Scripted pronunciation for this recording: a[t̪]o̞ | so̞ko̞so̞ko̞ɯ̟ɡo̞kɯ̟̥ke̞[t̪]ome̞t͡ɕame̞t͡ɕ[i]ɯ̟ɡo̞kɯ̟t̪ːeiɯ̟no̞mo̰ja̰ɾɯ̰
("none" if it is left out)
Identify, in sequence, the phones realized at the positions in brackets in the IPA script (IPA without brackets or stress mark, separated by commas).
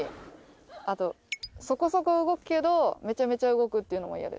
t̪, d̪, a